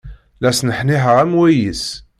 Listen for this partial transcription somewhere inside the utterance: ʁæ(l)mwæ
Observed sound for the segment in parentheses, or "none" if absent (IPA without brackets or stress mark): none